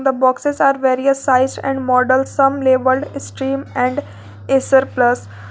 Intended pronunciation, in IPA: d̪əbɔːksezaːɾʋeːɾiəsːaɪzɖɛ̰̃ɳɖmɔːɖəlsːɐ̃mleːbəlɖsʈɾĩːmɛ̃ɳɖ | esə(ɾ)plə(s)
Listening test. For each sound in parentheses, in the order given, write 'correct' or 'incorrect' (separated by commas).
correct, correct